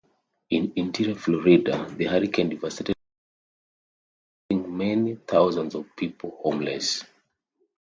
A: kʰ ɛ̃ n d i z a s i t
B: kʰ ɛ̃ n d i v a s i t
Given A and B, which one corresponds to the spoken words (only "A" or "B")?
B